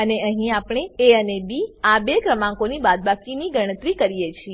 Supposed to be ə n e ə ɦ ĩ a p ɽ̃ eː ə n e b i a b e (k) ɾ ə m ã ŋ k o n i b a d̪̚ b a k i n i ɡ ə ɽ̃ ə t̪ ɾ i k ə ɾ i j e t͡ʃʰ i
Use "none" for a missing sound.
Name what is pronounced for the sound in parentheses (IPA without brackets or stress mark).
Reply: k